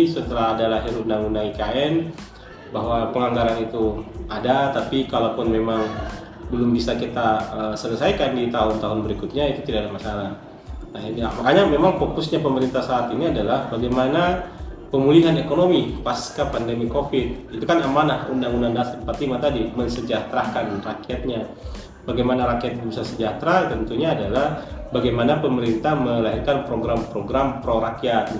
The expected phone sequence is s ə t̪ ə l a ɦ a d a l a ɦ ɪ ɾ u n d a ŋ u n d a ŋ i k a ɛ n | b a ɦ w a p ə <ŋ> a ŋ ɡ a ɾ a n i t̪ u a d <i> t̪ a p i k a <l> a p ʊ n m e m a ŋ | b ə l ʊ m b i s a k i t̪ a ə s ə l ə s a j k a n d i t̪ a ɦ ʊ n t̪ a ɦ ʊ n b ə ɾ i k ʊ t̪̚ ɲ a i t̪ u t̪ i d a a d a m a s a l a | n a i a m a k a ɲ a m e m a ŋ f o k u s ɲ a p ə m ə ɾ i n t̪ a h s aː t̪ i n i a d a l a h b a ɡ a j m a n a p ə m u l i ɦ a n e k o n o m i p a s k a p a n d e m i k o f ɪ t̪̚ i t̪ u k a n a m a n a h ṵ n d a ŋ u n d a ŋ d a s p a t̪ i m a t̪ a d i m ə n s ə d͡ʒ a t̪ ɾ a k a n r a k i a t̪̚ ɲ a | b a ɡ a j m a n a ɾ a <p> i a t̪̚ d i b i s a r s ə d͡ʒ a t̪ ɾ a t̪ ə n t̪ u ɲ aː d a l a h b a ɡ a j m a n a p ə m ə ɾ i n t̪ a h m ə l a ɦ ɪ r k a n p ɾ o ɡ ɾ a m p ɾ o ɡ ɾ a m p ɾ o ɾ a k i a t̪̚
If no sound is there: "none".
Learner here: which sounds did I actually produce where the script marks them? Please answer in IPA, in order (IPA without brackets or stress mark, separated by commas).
ŋ, a, l, k